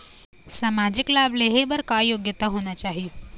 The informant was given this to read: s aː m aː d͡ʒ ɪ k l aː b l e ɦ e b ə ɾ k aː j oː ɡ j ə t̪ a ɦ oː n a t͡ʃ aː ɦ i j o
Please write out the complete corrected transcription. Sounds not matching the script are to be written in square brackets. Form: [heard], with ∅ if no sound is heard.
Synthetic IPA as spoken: s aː m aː d͡ʒ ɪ k l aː b l e ɦ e b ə ɾ k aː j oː ɡ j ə t̪ a ɦ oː n a t͡ʃ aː ɦ i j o